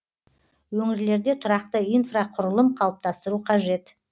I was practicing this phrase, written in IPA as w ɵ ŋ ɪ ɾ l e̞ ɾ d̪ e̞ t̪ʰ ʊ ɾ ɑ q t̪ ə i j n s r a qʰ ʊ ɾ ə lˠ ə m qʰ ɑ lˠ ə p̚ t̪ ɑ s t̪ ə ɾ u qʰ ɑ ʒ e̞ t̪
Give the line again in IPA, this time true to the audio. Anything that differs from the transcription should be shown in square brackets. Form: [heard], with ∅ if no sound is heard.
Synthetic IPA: w ɵ ŋ ɪ ɾ l e̞ ɾ d̪ e̞ t̪ʰ ʊ ɾ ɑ q t̪ ə i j n [f] r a qʰ ʊ ɾ ə lˠ ə m qʰ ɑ lˠ ə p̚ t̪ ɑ s t̪ ə ɾ u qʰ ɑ ʒ e̞ t̪